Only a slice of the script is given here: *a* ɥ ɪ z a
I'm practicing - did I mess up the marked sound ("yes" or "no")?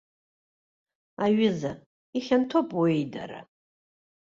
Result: no